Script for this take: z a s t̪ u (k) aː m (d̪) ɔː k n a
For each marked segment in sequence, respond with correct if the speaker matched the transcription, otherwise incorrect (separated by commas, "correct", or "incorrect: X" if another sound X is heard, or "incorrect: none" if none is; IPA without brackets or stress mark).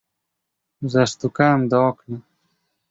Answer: correct, correct